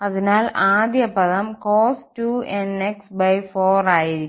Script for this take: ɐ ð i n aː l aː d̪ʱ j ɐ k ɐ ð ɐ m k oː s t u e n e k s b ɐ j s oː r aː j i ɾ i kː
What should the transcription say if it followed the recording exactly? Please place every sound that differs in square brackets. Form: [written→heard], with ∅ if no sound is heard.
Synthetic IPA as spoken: ɐ ð i n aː l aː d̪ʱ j ɐ [k→p] ɐ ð ɐ m k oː s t u e n e k s b ɐ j [s→f] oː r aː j i ɾ i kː